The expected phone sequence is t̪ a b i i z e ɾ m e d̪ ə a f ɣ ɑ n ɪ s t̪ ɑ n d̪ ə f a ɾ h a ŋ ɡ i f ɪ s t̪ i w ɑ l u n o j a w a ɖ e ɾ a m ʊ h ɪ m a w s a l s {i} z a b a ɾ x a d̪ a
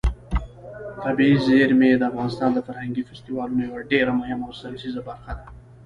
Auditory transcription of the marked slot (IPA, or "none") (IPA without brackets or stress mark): i